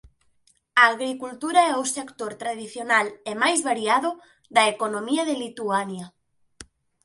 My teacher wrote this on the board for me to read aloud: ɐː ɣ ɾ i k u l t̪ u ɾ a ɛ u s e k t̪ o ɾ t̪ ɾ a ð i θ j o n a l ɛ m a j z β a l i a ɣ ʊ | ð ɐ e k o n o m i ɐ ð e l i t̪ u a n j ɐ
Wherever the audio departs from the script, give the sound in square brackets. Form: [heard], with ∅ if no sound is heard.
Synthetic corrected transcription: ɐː ɣ ɾ i k u l t̪ u ɾ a ɛ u s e k t̪ o ɾ t̪ ɾ a ð i θ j o n a l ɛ m a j z β a [ɾ] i a [ð] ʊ | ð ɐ e k o n o m i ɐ ð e l i t̪ u a n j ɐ